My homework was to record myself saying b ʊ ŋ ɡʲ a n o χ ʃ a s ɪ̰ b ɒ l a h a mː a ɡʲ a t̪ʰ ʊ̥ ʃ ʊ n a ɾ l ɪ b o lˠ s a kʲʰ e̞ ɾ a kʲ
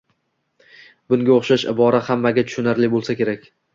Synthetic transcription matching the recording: b ʊ ŋ ɡʲ a o χ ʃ a ʃ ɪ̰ b ɒ ɾ a h a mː a ɡʲ a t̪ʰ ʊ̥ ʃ ʊ n a ɾ l ɪ b o lˠ s a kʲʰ e̞ ɾ a kʲ